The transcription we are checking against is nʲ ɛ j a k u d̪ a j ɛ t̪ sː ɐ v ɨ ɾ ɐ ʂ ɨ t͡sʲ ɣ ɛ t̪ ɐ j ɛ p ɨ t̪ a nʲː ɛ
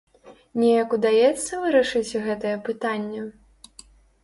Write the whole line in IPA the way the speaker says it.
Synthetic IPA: nʲ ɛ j ɐ k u d̪ a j ɛ t̪ sː ɐ v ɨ ɾ ɐ ʂ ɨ t͡sʲ ɣ ɛ t̪ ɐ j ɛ p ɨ t̪ a nʲː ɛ